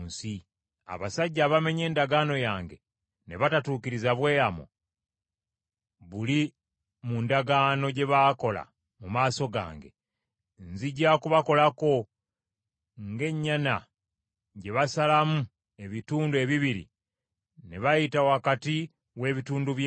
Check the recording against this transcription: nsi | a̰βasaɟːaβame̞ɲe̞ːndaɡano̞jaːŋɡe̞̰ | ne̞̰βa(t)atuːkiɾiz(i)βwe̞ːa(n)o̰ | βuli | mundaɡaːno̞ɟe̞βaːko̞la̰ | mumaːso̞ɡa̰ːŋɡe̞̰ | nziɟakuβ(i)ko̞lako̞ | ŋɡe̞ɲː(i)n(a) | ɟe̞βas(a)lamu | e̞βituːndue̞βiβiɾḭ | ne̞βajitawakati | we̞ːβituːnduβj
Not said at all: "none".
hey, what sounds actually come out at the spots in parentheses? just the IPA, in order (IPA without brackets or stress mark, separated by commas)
t, a, m, a, a, a, a